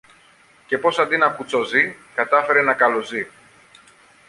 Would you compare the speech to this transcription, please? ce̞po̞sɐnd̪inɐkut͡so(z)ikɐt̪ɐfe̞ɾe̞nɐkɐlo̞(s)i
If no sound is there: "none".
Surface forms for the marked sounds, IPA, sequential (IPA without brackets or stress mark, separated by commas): z, z